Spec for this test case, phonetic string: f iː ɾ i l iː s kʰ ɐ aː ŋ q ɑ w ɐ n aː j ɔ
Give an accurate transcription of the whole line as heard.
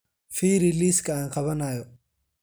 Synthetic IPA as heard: f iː ɾ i l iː s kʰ ɐ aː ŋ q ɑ β ɐ n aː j ɔ